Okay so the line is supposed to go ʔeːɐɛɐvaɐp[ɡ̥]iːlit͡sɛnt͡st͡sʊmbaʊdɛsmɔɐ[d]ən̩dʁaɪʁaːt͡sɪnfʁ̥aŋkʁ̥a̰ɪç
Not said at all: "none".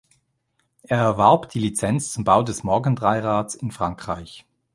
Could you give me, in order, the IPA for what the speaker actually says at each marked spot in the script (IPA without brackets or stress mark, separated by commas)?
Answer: d̥, ɡ